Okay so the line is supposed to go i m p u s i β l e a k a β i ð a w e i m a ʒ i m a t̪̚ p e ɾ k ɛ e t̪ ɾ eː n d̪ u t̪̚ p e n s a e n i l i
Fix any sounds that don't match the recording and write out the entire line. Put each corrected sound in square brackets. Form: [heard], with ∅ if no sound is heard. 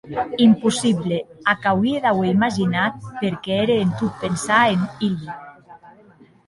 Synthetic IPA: i m p u s i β l e a k a [w] i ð a w e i m a ʒ i [n] a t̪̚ p e ɾ k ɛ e [∅] ɾ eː n [t̪] u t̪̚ p e n s a e n i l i